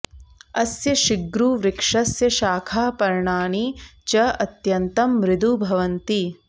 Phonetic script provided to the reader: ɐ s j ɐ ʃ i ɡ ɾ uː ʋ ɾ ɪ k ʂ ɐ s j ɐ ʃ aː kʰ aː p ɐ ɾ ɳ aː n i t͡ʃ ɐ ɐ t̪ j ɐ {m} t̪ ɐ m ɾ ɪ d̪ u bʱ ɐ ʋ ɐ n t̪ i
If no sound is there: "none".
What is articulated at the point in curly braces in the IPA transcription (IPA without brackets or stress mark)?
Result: n